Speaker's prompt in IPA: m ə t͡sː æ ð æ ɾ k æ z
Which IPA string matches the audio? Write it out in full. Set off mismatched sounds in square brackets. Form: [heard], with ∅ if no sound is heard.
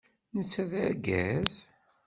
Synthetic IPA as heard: [n] ə t͡sː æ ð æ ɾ [ɡ] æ z